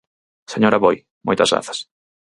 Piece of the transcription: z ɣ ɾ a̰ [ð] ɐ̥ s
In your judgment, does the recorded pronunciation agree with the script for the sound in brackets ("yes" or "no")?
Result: no